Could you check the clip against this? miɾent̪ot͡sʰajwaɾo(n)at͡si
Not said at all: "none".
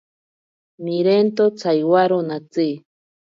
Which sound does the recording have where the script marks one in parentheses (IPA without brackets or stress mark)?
n